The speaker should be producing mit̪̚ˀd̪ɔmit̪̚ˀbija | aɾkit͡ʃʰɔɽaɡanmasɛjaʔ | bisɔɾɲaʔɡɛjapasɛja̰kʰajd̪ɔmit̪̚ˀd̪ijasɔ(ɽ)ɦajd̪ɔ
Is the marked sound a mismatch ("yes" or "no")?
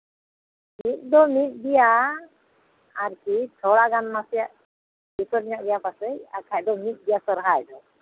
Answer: yes